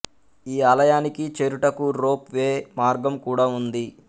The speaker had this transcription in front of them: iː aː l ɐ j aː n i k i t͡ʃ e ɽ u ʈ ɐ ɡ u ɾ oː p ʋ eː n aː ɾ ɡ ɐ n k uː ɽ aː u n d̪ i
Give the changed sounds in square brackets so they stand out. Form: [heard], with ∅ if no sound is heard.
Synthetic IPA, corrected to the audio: iː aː l ɐ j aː n i k i t͡ʃ e [ɾ] u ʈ ɐ [k] u ɾ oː p ʋ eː [m] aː ɾ ɡ ɐ [m] k uː ɽ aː u n d̪ i